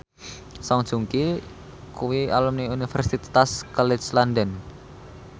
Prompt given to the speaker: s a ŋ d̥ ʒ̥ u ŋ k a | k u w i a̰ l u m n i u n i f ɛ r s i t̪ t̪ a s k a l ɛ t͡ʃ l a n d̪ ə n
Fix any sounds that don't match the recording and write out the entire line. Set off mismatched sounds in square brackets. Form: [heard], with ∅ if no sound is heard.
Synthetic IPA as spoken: s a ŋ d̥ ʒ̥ u ŋ k [i] | k u w i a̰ l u m n i u n i f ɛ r s i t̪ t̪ a s k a l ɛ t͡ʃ l a n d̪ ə n